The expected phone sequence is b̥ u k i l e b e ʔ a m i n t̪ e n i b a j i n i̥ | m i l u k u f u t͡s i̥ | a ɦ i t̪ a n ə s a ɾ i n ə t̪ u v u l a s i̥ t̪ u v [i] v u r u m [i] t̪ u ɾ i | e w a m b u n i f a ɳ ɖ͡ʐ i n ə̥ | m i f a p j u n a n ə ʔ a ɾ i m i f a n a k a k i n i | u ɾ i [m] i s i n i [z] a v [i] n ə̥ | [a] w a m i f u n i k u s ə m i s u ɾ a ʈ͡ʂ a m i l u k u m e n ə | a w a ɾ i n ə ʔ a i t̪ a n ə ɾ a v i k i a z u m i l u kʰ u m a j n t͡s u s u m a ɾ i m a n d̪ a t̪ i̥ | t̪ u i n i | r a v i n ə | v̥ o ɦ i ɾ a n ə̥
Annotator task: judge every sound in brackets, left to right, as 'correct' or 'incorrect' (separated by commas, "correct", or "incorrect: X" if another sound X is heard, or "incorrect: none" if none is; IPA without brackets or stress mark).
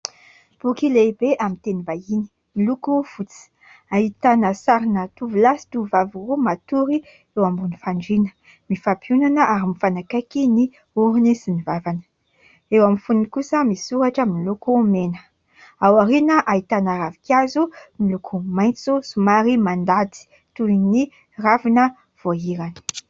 incorrect: a, incorrect: a, incorrect: n, incorrect: v, incorrect: a, incorrect: e